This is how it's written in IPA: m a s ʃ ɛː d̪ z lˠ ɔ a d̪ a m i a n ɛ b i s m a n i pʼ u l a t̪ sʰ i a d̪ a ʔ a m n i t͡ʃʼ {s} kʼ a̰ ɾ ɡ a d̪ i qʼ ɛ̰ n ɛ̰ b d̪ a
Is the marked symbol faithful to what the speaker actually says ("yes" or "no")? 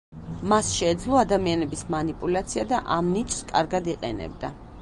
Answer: yes